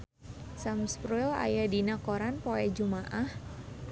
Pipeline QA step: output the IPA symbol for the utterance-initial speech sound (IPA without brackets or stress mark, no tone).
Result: s